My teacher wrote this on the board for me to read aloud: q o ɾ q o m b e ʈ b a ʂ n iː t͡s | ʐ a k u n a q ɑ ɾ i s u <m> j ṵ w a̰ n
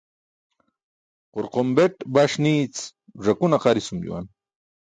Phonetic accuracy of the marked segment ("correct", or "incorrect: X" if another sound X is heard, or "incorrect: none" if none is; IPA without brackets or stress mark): correct